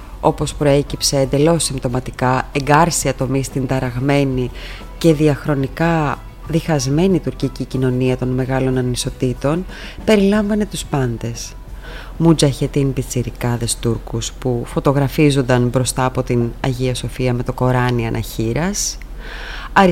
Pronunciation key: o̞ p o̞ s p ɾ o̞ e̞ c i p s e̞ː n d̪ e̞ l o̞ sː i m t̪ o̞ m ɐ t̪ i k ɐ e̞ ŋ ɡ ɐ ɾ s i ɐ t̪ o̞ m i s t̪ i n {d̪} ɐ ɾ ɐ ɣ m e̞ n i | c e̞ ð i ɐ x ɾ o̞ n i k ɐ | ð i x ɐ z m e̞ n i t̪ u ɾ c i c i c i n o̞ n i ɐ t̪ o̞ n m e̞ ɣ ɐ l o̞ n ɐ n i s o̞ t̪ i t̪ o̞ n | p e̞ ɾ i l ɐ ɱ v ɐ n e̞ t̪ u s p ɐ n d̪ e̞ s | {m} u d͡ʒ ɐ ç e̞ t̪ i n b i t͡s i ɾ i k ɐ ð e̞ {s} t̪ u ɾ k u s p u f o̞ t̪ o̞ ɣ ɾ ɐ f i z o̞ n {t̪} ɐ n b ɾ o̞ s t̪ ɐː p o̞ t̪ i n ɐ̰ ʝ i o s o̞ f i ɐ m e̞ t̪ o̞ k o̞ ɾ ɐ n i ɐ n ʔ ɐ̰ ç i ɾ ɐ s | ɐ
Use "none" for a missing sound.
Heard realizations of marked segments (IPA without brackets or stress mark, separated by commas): d̪, m, s, d̪